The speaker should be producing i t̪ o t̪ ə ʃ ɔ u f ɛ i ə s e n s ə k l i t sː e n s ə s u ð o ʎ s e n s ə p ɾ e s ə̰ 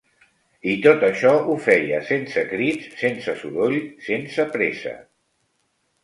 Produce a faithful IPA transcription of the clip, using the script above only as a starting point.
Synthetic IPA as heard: i t̪ o t̪ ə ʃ ɔ u f ɛ j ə s e n s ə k ɾ i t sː e n s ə s u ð o ʎ s e n s ə p ɾ e s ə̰